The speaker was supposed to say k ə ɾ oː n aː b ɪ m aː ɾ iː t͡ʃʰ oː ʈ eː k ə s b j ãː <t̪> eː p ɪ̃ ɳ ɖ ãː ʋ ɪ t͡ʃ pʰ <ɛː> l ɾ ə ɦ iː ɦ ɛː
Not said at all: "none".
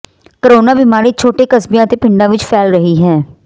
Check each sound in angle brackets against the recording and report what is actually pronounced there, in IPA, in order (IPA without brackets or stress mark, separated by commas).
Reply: t̪, ɛː